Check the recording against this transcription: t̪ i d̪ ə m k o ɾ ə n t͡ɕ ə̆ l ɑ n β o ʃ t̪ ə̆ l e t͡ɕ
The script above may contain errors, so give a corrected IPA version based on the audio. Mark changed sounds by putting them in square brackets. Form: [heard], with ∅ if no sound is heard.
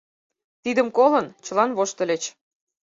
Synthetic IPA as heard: t̪ i d̪ ə m k o [l] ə n t͡ɕ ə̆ l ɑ n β o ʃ t̪ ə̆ l e t͡ɕ